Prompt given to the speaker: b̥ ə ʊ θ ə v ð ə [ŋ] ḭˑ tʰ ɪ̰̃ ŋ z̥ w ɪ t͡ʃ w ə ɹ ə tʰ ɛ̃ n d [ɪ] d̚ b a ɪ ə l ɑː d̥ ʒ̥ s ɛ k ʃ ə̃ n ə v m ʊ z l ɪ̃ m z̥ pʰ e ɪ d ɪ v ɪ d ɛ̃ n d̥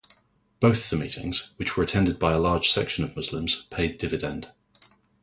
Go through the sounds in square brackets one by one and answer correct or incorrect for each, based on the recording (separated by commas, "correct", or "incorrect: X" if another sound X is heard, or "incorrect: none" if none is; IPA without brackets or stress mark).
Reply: incorrect: m, correct